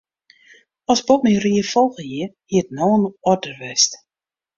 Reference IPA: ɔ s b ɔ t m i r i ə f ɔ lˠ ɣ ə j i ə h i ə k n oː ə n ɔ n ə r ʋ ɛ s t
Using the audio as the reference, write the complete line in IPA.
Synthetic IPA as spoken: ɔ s b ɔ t m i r i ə f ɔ lˠ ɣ ə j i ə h i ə t n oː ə n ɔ d ə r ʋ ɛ s t